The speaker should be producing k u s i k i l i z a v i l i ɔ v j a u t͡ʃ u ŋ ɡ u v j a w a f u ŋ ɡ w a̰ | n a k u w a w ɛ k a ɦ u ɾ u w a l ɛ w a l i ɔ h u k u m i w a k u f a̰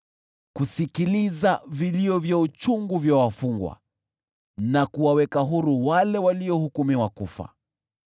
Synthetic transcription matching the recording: k u s i k i l i z a v i l i ɔ v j a u t͡ʃ u ŋ ɡ u v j a w a f u ŋ ɡ w a̰ | n a k u w a w ɛ k a ɦ u ɾ u w a l ɛ w a l i ɔ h u k u m i w a k u f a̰

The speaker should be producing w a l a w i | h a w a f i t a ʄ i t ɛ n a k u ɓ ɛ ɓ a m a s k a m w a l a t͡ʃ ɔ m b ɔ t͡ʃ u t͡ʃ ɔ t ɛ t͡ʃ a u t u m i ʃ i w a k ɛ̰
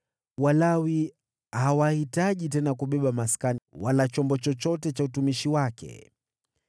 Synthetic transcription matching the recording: w a l a w i | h a w a h i t a ʄ i t ɛ n a k u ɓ ɛ ɓ a m a s k a n w a l a t͡ʃ ɔ m b ɔ t͡ʃ ɔ t͡ʃ ɔ t ɛ t͡ʃ a u t u m i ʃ i w a k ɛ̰

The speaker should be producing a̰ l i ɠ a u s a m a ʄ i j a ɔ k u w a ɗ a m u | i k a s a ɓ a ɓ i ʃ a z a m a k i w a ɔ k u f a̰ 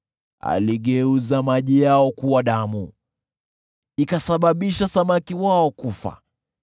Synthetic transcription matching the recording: a̰ l i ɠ ɛ u z a m a ʄ i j a ɔ k u w a ɗ a m u | i k a s a ɓ a ɓ i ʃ a s a m a k i w a ɔ k u f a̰

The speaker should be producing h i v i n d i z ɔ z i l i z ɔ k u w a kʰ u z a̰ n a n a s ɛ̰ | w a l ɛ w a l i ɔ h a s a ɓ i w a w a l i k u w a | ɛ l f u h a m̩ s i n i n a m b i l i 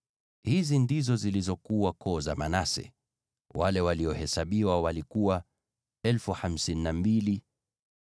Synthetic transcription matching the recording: h i z i n d i z ɔ z i l i z ɔ k u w a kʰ ɔ z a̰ m a n a s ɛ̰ | w a l ɛ w a l i ɔ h ɛ s a ɓ i w a w a l i k u w a | ɛ l f u h a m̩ s i n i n a m b i l i

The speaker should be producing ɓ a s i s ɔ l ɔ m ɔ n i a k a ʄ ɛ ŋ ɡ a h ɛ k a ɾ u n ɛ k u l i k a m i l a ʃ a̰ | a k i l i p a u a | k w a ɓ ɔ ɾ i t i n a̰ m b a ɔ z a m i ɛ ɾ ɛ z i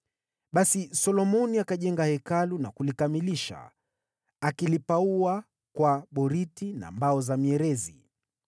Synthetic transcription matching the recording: ɓ a s i s ɔ l ɔ m ɔ n i a k a ʄ ɛ ŋ ɡ a h ɛ k a l u n a k u l i k a m i l i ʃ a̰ | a k i l i p a u a | k w a ɓ ɔ ɾ i t i n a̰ m b a ɔ z a m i ɛ ɾ ɛ z i

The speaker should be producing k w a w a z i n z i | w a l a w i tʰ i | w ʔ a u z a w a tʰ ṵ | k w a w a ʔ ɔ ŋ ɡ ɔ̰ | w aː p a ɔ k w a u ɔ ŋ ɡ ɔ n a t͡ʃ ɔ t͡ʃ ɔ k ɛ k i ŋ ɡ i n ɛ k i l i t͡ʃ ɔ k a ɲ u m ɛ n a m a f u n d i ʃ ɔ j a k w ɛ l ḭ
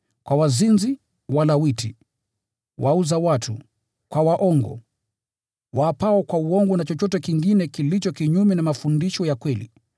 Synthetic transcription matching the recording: k w a w a z i n z i | w a l a w i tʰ i | w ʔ a u z a w a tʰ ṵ | k w a w a ʔ ɔ ŋ ɡ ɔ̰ | w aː p a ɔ k w a u ɔ ŋ ɡ ɔ n a t͡ʃ ɔ t͡ʃ ɔ t ɛ k i ŋ ɡ i n ɛ k i l i t͡ʃ ɔ k i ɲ u m ɛ n a m a f u n d i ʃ ɔ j a k w ɛ l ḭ

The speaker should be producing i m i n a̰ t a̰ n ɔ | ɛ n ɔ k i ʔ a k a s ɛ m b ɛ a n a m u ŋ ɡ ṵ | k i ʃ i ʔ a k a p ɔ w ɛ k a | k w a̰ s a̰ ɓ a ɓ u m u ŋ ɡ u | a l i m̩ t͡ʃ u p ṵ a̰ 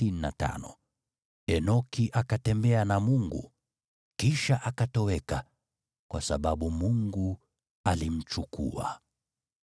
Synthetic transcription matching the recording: i n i n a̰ t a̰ n ɔ | ɛ n ɔ k i ʔ a k a t ɛ m b ɛ a n a m u ŋ ɡ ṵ | k i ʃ a ʔ a k a t ɔ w ɛ k a | k w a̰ s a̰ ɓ a ɓ u m u ŋ ɡ u | a l i m̩ t͡ʃ u k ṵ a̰

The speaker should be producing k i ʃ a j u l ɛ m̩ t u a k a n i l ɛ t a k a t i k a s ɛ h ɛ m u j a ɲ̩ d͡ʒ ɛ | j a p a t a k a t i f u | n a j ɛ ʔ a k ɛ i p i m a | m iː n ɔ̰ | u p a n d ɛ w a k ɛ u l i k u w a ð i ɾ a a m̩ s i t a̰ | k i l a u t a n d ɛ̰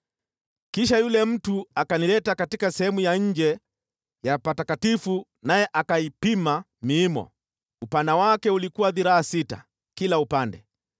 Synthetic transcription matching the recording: k i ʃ a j u l ɛ m̩ t u a k a n i l ɛ t a k a t i k a s ɛ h ɛ m u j a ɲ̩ d͡ʒ ɛ | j a p a t a k a t i f u | n a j ɛ ʔ a k a i p i m a | m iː m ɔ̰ | u p a n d a w a k ɛ u l i k u w a ð i ɾ a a s i t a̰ | k i l a u p a n d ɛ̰

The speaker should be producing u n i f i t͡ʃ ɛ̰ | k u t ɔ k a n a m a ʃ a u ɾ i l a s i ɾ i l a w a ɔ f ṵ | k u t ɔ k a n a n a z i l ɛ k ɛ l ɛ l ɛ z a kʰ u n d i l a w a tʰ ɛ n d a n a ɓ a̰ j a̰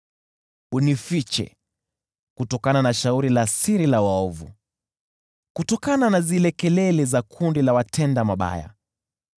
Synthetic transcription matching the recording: u n i f i t͡ʃ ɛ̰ | k u t ɔ k a n a n a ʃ a u ɾ i l a s i ɾ i l a w a ɔ v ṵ | k u t ɔ k a n a n a z i l ɛ k ɛ l ɛ l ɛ z a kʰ u n d i l a w a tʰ ɛ n d a m a ɓ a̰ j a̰

